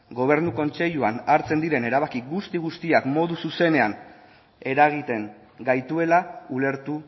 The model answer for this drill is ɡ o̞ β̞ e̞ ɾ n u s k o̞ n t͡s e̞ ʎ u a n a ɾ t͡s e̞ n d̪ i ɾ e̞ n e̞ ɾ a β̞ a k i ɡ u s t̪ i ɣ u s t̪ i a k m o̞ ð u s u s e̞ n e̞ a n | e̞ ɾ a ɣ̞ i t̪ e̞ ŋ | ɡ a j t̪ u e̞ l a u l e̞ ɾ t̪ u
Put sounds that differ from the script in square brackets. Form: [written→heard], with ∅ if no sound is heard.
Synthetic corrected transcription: ɡ o̞ β̞ e̞ ɾ n u [s→∅] k o̞ n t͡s e̞ ʎ u a n a ɾ t͡s e̞ n d̪ i ɾ e̞ n e̞ ɾ a β̞ a k i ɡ u s t̪ i ɣ u s t̪ i a k m o̞ ð u s u s e̞ n e̞ a n | e̞ ɾ a ɣ̞ i t̪ e̞ ŋ | ɡ a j t̪ u e̞ l a u l e̞ ɾ t̪ u